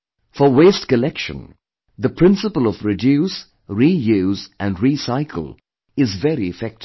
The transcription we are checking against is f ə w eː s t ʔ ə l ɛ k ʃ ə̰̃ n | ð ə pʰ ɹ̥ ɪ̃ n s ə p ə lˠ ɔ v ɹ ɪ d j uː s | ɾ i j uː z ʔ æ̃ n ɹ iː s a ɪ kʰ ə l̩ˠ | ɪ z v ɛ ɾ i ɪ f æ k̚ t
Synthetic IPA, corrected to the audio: f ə w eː s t k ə l ɛ k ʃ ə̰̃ n | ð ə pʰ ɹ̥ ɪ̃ n s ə p ə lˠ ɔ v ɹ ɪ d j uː s | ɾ i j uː z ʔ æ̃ n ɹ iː s a ɪ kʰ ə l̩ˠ | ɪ z v ɛ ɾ i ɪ f ɛ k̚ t